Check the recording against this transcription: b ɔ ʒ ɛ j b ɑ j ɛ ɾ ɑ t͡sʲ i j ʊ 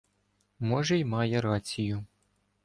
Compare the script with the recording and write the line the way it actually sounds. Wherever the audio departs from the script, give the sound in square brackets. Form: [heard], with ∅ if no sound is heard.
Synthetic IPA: [m] ɔ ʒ ɛ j [m] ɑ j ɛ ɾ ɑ t͡sʲ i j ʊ

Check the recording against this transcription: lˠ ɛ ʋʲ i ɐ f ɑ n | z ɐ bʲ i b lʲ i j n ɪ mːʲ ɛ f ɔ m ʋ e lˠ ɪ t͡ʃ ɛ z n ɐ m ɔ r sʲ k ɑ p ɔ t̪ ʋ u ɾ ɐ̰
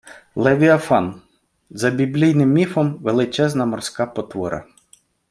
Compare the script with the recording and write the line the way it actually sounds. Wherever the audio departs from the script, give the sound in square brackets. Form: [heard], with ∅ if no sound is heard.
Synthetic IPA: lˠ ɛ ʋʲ i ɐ f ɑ n | z ɐ bʲ i b lʲ i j n ɪ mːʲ [i] f ɔ m ʋ e lˠ ɪ t͡ʃ ɛ z n ɐ m ɔ r sʲ k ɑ p ɔ t̪ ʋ [ɔ] ɾ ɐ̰

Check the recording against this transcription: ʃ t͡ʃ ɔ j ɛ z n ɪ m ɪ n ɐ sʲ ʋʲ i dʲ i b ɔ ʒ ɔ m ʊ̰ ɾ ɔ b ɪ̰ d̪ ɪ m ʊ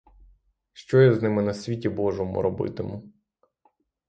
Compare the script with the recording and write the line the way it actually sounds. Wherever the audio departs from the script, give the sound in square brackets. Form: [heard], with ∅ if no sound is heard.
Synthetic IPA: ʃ t͡ʃ ɔ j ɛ z n ɪ m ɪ n ɐ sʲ ʋʲ i [tʲ] i b ɔ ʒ ɔ m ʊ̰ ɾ ɔ b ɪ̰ [t̪] ɪ m ʊ

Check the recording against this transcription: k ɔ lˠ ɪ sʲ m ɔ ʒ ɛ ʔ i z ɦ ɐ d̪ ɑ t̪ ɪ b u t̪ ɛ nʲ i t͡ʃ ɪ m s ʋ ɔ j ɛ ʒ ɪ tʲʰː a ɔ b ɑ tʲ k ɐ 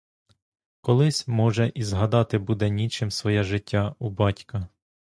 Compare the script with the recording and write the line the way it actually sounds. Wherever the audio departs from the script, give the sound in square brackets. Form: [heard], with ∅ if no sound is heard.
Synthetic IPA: k ɔ lˠ ɪ sʲ m ɔ ʒ ɛ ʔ i z ɦ ɐ d̪ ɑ t̪ ɪ b u [d̪] ɛ nʲ i t͡ʃ ɪ m s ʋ ɔ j ɛ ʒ ɪ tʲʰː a [u] b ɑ tʲ k ɐ

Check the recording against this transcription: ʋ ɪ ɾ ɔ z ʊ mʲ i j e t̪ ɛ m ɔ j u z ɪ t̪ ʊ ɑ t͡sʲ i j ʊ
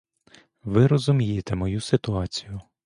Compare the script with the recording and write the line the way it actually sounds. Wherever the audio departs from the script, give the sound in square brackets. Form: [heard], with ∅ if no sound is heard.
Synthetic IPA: ʋ ɪ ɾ ɔ z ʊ mʲ i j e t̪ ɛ m ɔ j u [s] ɪ t̪ ʊ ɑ t͡sʲ i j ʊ

